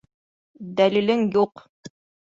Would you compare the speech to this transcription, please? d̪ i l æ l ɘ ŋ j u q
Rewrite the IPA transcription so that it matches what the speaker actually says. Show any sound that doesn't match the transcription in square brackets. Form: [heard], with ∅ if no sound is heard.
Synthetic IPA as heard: d̪ [æ] l [i] l ɘ ŋ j u q

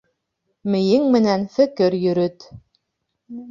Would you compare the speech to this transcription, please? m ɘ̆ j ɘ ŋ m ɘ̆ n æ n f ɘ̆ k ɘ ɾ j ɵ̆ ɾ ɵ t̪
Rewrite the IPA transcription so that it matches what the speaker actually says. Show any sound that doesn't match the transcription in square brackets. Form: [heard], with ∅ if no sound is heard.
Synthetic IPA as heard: m ɘ̆ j ɘ ŋ m ɘ̆ n æ n f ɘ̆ k ɘ ɾ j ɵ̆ ɾ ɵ t̪

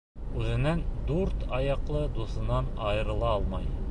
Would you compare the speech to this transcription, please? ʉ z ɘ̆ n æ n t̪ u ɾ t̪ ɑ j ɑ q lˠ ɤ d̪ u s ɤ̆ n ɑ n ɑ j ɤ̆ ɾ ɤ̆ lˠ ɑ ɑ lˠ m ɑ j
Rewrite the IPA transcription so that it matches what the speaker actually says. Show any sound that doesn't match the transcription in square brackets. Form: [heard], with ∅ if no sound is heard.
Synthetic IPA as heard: ʉ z ɘ̆ n æ n [d̪] u ɾ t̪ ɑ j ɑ q lˠ ɤ d̪ u s ɤ̆ n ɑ n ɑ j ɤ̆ ɾ ɤ̆ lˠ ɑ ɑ lˠ m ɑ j

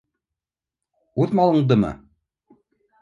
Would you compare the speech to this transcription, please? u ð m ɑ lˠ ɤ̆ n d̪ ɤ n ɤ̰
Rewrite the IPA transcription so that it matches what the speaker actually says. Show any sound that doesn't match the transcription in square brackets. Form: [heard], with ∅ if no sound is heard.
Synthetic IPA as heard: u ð m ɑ lˠ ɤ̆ [ɴ] d̪ ɤ [m] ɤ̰

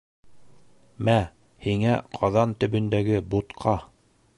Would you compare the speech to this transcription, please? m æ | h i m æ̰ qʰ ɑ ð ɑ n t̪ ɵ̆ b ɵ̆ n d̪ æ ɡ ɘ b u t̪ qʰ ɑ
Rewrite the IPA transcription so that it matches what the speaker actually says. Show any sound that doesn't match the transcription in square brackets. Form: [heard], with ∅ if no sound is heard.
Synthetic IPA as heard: m æ | h i [ŋ] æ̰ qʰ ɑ ð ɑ n t̪ ɵ̆ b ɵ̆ n d̪ æ ɡ ɘ b u t̪ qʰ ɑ

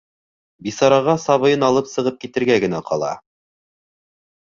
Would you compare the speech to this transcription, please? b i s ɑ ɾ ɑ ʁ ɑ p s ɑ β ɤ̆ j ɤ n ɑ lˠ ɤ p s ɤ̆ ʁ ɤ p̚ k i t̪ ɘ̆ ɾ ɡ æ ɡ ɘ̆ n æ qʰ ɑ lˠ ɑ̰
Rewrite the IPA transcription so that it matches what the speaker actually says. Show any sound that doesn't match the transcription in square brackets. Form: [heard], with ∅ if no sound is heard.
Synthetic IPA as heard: b i s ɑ ɾ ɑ ʁ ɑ [∅] s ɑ β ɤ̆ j ɤ n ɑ lˠ ɤ p s ɤ̆ ʁ ɤ p̚ k i t̪ ɘ̆ ɾ ɡ æ ɡ ɘ̆ n æ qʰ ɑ lˠ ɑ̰

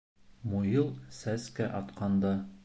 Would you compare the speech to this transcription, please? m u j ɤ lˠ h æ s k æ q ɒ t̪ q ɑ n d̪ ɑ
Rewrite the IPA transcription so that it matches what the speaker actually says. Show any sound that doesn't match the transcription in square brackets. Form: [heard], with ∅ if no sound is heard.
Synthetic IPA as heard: m u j ɤ lˠ [s] æ s k æ [ʔ] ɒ t̪ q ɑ n d̪ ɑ

